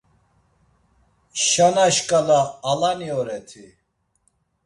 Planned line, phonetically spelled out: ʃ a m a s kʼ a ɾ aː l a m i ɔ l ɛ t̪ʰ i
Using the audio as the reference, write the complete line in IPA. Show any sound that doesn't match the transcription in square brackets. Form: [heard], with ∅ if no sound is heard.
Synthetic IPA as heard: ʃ a [n] a [ʃ] kʼ a [l] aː l a [n] i ɔ [ɾ] ɛ t̪ʰ i